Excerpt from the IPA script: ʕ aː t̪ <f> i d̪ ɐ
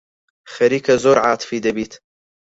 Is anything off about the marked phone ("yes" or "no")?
no